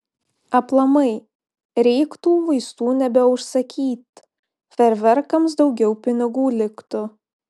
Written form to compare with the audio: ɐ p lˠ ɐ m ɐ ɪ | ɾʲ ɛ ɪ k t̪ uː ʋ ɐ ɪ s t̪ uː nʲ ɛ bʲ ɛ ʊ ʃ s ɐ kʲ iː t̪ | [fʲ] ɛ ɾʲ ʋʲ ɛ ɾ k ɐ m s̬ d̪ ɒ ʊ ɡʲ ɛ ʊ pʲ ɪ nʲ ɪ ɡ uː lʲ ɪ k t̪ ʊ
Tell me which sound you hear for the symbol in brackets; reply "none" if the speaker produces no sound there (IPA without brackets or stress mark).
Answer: fʲ